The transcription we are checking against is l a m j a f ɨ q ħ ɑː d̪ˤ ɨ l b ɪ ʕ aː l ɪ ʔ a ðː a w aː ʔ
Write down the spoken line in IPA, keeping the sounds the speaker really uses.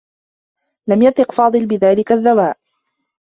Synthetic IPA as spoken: l a m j a θ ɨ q f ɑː d̪ˤ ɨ l b ɪ ð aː l ɪ k a ðː a w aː ʔ